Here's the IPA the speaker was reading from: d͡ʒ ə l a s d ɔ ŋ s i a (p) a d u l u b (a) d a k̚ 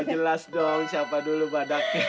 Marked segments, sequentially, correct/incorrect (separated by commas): correct, correct